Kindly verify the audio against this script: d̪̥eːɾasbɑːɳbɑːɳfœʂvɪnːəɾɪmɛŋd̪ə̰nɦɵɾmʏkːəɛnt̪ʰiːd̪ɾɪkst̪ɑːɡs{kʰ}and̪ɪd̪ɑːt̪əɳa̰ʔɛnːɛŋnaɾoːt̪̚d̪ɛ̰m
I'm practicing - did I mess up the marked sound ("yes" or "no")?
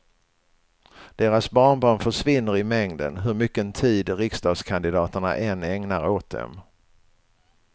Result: no